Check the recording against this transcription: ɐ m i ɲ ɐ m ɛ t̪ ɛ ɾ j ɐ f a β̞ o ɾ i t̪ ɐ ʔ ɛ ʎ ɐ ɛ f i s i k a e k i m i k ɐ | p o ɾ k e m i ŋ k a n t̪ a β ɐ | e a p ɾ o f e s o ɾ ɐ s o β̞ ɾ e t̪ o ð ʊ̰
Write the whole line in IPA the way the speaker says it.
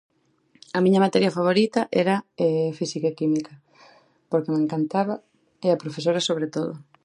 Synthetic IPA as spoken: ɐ m i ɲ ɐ m a t̪ ɛ ɾ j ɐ f a β̞ o ɾ i t̪ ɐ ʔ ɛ ɾ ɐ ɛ f i s i k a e k i m i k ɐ | p o ɾ k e m e ŋ k a n t̪ a β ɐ | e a p ɾ o f e s o ɾ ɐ s o β̞ ɾ e t̪ o ð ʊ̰